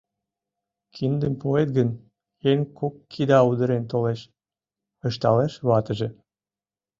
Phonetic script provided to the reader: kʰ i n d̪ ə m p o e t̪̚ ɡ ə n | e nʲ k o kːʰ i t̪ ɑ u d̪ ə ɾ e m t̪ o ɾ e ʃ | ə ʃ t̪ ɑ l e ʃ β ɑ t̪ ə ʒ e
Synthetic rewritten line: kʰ i n d̪ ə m p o e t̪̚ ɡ ə n | e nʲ k o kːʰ i d̪ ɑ u d̪ ə ɾ e n t̪ o l e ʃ | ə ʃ t̪ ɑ l e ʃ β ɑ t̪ ə ʒ e